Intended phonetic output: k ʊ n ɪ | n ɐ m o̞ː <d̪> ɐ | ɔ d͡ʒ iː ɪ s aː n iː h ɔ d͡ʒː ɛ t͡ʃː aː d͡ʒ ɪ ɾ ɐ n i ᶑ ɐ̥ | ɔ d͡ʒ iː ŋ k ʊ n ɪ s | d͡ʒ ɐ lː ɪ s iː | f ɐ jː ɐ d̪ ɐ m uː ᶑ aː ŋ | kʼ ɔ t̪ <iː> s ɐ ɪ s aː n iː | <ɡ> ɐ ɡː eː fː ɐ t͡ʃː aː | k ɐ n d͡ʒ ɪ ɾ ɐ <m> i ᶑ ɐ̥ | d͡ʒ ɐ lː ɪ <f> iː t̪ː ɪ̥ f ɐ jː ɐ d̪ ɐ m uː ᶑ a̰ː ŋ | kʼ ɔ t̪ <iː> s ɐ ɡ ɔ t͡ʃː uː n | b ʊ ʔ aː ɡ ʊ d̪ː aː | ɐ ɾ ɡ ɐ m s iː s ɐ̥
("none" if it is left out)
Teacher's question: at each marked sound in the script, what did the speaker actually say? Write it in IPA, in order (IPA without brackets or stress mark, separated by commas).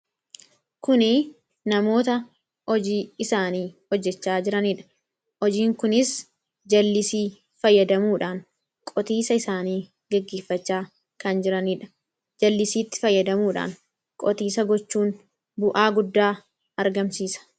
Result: t̪, iː, ɡ, n, s, iː